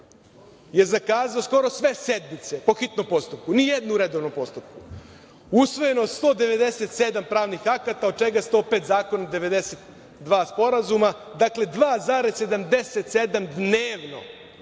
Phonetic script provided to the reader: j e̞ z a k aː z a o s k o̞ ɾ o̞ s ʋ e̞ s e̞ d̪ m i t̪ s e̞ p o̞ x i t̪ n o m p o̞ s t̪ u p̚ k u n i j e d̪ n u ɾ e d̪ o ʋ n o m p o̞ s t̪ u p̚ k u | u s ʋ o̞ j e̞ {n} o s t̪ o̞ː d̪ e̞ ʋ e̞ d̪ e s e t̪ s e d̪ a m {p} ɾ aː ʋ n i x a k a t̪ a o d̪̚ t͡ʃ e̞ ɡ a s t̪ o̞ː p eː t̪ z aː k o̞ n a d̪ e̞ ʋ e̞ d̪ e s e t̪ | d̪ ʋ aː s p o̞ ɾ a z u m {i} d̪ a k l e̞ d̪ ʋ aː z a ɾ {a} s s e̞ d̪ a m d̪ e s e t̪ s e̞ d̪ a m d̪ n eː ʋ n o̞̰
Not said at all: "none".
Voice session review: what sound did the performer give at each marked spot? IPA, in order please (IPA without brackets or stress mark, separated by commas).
n, p, a, e